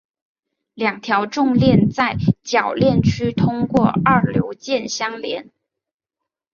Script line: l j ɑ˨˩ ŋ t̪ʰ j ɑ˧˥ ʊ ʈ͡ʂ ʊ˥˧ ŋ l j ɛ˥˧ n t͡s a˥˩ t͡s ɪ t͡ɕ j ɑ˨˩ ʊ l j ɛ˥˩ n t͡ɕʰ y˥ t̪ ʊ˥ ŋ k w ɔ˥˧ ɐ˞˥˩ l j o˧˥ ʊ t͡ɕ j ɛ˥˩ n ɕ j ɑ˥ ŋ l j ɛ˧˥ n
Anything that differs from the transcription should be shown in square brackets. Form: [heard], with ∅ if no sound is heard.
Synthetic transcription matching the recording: l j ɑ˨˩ ŋ t̪ʰ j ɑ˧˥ ʊ ʈ͡ʂ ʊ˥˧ ŋ l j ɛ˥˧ n t͡s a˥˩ [∅] ɪ t͡ɕ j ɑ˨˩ ʊ l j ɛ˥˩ n t͡ɕʰ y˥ [t̪ʰ] ʊ˥ ŋ k w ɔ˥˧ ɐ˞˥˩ l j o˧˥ ʊ t͡ɕ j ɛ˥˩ n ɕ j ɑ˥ ŋ l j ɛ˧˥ n

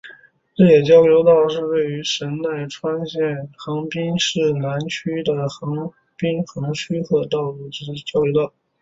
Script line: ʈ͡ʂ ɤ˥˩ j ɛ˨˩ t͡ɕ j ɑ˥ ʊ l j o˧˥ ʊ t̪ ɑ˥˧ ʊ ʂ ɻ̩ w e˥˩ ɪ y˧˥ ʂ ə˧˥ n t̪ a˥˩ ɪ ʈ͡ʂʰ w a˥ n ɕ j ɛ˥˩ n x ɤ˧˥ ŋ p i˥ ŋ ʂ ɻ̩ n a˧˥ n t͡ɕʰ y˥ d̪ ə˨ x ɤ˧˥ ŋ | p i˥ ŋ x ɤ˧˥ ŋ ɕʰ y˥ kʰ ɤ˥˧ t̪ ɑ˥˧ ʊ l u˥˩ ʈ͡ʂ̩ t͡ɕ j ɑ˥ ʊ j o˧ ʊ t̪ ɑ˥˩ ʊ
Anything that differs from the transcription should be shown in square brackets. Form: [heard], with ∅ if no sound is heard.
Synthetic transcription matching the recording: ʈ͡ʂ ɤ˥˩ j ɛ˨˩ t͡ɕ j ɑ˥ ʊ l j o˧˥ ʊ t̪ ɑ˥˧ ʊ ʂ ɻ̩ w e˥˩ ɪ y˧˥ ʂ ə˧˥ n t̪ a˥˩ ɪ ʈ͡ʂʰ w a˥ n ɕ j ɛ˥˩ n x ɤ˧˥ ŋ p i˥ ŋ ʂ ɻ̩ n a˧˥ n t͡ɕʰ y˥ d̪ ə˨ x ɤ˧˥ ŋ | p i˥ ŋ x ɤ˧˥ ŋ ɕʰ y˥ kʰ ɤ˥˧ t̪ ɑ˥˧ ʊ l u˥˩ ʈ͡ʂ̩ t͡ɕ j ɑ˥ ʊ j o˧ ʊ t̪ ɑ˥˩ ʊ

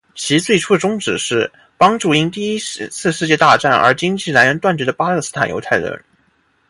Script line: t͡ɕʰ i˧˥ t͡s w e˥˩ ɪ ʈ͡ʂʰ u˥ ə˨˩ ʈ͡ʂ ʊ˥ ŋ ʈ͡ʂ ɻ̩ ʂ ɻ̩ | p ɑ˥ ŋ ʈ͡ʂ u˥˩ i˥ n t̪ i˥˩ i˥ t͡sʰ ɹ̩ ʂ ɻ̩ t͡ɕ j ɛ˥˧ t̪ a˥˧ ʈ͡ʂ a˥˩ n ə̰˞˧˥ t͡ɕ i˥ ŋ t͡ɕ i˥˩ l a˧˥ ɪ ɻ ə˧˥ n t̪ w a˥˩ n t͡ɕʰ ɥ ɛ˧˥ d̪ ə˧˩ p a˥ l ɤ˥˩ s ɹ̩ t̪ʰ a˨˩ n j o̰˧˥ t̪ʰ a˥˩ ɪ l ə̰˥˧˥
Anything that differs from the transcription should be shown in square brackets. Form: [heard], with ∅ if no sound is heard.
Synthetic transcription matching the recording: t͡ɕʰ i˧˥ t͡s w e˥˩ ɪ ʈ͡ʂʰ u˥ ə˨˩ ʈ͡ʂ ʊ˥ ŋ ʈ͡ʂ ɻ̩ ʂ ɻ̩ | p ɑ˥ ŋ ʈ͡ʂ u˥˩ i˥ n t̪ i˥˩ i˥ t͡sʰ ɹ̩ ʂ ɻ̩ t͡ɕ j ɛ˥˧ t̪ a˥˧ ʈ͡ʂ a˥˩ n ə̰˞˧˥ t͡ɕ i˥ ŋ t͡ɕ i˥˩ l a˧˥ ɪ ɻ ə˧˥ n t̪ w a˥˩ n [t͡ɕ] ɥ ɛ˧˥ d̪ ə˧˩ p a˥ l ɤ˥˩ s ɹ̩ t̪ʰ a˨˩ n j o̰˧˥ t̪ʰ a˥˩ ɪ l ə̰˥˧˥

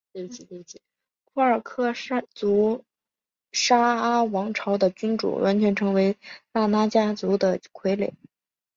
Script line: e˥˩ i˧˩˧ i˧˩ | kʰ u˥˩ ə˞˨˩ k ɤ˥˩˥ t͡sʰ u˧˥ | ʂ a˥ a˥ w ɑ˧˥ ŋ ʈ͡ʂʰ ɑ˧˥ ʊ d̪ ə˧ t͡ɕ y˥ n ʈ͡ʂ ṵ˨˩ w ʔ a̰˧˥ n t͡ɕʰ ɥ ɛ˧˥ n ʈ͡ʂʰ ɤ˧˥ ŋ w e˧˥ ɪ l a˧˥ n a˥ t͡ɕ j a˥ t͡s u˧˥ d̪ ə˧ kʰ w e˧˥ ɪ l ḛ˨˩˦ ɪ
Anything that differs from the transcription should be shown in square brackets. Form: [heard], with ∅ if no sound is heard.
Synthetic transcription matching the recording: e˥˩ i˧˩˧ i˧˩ | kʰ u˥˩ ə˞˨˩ [kʰ] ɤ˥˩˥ [t͡s] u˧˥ | ʂ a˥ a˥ w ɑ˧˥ ŋ ʈ͡ʂʰ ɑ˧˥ ʊ d̪ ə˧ t͡ɕ y˥ n ʈ͡ʂ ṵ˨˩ w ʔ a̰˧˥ n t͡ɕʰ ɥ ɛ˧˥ n ʈ͡ʂʰ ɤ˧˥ ŋ w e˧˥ ɪ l [a˥˩] n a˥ t͡ɕ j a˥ t͡s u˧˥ d̪ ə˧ kʰ w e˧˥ ɪ l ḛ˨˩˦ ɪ

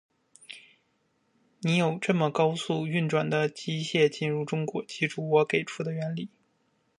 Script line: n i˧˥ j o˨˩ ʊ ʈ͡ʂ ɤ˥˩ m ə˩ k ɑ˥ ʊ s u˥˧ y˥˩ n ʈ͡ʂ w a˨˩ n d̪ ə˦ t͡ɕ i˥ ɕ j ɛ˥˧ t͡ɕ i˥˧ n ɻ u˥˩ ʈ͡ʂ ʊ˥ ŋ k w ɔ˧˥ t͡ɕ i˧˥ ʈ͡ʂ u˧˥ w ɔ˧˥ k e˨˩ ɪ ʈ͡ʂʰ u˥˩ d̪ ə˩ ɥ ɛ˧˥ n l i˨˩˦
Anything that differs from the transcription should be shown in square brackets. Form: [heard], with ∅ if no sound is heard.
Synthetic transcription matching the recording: n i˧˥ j o˨˩ ʊ ʈ͡ʂ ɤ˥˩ m ə˩ k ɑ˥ ʊ s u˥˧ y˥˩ n ʈ͡ʂ w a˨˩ n d̪ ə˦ t͡ɕ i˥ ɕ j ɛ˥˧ t͡ɕ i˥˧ n ɻ u˥˩ ʈ͡ʂ ʊ˥ ŋ k w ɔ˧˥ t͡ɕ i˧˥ ʈ͡ʂ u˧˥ w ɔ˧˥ k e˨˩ ɪ ʈ͡ʂʰ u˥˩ d̪ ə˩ ɥ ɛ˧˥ n l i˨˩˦

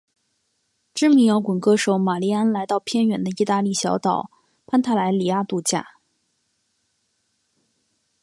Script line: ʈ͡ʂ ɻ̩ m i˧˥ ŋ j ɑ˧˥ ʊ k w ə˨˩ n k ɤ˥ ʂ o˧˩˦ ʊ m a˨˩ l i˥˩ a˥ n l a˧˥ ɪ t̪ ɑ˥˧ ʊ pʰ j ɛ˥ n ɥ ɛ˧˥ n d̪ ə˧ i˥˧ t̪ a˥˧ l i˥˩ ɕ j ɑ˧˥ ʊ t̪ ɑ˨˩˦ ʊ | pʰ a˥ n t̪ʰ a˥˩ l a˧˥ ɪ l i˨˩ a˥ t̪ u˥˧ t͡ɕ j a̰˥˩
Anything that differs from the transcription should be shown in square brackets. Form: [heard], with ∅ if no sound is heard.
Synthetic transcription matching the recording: ʈ͡ʂ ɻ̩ m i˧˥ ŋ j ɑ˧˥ ʊ k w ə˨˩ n k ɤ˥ ʂ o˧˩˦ ʊ m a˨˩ l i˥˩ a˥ n l a˧˥ ɪ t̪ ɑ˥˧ ʊ pʰ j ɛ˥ n ɥ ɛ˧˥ n d̪ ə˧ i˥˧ t̪ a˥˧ l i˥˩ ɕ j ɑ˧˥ ʊ t̪ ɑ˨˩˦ ʊ | pʰ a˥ n t̪ʰ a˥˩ l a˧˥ ɪ l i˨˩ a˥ t̪ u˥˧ t͡ɕ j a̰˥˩

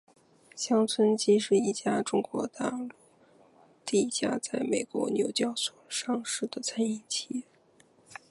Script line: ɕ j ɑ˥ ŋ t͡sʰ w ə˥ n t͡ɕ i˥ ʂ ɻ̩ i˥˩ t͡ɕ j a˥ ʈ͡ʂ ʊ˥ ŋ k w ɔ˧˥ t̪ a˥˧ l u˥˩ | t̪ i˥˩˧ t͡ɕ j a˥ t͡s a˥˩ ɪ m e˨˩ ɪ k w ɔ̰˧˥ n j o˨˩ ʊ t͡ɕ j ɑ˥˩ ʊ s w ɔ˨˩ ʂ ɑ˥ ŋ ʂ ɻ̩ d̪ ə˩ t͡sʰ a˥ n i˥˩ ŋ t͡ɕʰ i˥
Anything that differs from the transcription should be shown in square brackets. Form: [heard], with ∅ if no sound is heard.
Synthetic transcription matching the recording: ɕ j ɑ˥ ŋ t͡sʰ w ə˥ n t͡ɕ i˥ ʂ ɻ̩ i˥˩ t͡ɕ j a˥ ʈ͡ʂ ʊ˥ ŋ k w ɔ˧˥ t̪ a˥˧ l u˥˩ | t̪ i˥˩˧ t͡ɕ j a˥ t͡s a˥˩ ɪ m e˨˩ ɪ k w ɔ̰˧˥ n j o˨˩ ʊ t͡ɕ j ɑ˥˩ ʊ s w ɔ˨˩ ʂ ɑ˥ ŋ ʂ ɻ̩ d̪ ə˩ t͡sʰ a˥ n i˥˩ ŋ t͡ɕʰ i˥

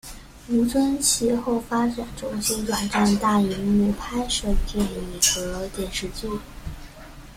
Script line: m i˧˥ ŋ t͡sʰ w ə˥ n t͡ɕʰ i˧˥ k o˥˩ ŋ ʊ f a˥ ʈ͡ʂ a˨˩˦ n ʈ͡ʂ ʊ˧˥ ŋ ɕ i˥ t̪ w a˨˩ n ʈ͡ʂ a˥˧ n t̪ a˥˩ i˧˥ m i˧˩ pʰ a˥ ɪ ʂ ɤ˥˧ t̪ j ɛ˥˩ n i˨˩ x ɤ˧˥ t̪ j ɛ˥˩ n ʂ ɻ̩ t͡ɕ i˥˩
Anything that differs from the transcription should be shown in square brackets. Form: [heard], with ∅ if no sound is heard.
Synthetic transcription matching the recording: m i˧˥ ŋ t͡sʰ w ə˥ n t͡ɕʰ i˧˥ [x] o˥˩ [∅] ʊ f a˥ ʈ͡ʂ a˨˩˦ n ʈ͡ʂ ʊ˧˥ ŋ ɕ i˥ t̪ w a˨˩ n ʈ͡ʂ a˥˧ n t̪ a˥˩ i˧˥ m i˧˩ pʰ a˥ ɪ ʂ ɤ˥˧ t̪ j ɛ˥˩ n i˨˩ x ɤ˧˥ t̪ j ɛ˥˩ n ʂ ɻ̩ t͡ɕ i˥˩

